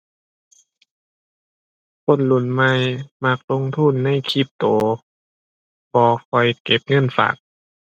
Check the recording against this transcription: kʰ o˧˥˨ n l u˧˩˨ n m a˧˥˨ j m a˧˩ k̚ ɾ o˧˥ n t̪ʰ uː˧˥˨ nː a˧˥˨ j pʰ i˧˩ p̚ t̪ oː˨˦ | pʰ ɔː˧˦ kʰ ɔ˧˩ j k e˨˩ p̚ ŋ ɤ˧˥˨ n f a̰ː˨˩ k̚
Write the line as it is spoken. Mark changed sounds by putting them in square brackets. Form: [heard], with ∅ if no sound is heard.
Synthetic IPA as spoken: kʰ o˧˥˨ n l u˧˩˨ n m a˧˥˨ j m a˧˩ k̚ [l] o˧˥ [ŋ] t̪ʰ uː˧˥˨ nː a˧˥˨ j [kʰ] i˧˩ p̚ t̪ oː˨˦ | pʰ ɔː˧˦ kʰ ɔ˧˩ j k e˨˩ p̚ ŋ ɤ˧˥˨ n f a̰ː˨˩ k̚